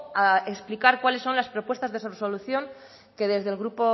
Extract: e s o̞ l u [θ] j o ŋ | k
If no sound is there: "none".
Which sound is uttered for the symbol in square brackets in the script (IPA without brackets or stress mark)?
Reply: θ